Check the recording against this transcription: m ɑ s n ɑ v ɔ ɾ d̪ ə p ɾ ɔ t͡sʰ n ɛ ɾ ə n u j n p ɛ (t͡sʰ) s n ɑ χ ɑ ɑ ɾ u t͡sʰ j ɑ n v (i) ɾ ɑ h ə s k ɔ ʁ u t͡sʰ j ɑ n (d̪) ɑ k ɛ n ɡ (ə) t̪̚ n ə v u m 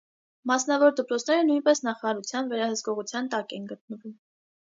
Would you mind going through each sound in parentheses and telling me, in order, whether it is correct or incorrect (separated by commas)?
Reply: incorrect, incorrect, incorrect, correct